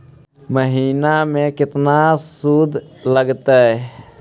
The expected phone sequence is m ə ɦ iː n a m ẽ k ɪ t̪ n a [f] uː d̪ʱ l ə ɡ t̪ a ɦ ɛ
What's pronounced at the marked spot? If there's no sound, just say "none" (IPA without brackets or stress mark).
s